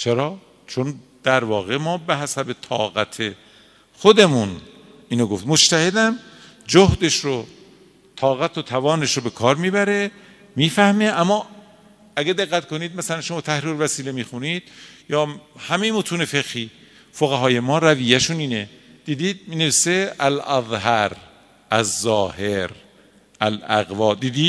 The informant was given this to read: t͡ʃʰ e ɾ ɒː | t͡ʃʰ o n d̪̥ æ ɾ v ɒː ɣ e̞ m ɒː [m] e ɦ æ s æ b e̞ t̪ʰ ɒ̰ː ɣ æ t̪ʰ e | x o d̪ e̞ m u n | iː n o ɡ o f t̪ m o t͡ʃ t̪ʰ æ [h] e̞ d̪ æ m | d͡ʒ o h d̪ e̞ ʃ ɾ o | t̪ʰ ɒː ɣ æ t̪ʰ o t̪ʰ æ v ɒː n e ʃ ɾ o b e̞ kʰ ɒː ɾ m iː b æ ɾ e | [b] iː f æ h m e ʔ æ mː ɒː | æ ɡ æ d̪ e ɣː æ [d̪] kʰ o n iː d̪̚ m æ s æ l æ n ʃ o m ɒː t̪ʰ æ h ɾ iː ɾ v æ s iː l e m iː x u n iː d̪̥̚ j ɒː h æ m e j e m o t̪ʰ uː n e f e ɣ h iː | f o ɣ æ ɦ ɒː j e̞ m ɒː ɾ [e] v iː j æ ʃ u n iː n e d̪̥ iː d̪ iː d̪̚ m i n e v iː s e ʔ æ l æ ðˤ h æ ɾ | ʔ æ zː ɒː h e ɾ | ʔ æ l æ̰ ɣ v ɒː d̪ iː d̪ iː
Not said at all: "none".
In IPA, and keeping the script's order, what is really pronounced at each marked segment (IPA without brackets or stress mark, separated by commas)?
b, h, m, t̪, æ